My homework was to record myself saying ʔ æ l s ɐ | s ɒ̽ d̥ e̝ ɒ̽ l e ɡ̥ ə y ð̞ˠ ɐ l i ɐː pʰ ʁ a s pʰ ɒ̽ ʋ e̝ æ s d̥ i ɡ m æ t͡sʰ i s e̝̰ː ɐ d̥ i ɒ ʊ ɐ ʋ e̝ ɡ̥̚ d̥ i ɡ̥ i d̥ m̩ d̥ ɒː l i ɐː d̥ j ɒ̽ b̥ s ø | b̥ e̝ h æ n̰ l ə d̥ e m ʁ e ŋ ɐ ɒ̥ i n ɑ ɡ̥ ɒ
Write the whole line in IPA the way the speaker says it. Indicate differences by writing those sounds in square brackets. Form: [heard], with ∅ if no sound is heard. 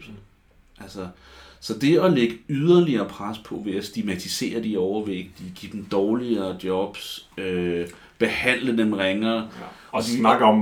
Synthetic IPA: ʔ æ l s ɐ | s ɒ̽ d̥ e̝ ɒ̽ l e ɡ̥ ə y ð̞ˠ ɐ l i ɐː pʰ ʁ a s pʰ ɒ̽ ʋ e̝ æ s d̥ i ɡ m æ t͡sʰ i s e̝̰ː ɐ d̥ i ɒ ʊ ɐ ʋ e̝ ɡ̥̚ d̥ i ɡ̥ i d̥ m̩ d̥ ɒː l i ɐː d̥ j ɒ̽ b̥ s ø | b̥ e̝ h æ n̰ l ə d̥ e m ʁ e ŋ ɐ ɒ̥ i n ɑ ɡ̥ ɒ